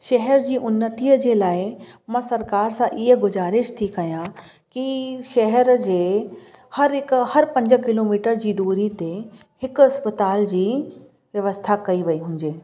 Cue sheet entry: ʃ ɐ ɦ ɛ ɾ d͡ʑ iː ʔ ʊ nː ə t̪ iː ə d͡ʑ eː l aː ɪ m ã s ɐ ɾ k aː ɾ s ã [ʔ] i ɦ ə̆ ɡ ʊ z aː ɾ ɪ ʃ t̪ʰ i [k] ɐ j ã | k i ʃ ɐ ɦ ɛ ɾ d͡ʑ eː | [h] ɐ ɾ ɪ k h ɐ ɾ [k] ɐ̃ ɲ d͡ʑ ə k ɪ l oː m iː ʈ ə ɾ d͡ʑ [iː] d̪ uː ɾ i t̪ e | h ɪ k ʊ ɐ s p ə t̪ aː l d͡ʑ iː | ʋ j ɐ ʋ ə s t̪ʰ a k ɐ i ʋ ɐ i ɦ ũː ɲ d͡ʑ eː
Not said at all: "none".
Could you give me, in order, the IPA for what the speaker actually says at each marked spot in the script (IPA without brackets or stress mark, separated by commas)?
ʔ, k, h, p, iː